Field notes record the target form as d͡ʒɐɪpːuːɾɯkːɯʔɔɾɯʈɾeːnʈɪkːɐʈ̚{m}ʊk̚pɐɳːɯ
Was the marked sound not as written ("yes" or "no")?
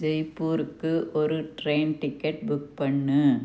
yes